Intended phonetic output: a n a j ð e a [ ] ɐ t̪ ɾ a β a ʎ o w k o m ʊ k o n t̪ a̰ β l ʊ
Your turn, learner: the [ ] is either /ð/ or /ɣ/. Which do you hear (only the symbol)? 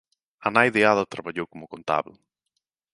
ð